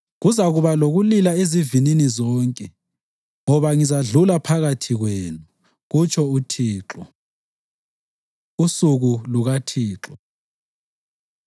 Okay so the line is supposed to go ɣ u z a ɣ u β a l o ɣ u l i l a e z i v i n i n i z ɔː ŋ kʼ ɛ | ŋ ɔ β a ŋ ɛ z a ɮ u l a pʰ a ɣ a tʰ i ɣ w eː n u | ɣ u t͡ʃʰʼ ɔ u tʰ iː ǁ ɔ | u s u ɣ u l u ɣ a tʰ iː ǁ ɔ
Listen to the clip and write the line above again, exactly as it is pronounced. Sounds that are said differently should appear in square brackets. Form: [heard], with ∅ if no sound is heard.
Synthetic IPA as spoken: ɣ u z a ɣ u β a l o ɣ u l i l a e z i v i n i n i z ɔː ŋ kʼ ɛ | ŋ ɔ β a ŋ [i] z a ɮ u l a pʰ a ɣ a tʰ i ɣ w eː n u | ɣ u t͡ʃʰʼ ɔ u tʰ iː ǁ ɔ | u s u ɣ u l u ɣ a tʰ iː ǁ ɔ